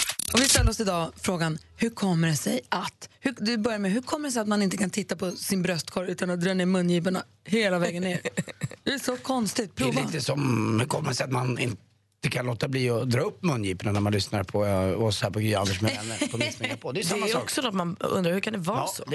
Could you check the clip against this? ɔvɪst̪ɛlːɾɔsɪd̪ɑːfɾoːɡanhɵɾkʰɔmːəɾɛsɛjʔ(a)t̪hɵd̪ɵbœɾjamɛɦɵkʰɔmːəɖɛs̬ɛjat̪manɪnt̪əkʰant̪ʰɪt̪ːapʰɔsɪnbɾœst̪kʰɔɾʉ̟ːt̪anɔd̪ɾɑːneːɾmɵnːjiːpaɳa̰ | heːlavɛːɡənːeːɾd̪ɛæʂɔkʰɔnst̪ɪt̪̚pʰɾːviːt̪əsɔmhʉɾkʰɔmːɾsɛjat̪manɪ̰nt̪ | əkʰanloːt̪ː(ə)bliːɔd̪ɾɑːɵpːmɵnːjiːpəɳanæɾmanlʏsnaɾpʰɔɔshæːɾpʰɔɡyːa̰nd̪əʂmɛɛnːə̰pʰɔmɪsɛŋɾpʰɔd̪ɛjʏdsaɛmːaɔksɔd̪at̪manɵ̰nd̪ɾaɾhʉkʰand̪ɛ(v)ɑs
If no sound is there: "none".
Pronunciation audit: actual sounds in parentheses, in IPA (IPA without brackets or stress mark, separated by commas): a, a, v